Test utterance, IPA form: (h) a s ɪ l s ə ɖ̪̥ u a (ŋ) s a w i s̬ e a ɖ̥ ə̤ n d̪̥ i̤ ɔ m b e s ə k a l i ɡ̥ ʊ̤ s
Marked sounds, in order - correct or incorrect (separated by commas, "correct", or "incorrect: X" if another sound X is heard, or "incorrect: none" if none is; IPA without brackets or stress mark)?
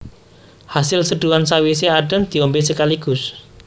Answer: correct, incorrect: n